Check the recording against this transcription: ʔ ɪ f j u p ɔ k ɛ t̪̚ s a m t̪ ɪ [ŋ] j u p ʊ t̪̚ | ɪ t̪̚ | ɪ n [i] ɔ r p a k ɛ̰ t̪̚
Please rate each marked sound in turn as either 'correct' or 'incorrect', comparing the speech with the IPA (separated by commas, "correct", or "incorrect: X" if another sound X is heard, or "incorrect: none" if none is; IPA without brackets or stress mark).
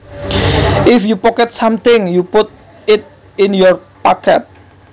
correct, incorrect: j